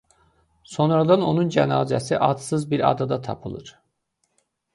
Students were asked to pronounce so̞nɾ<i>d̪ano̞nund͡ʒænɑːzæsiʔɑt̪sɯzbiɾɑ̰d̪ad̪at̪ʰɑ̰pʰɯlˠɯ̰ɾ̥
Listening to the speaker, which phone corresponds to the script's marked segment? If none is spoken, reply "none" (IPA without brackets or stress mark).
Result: a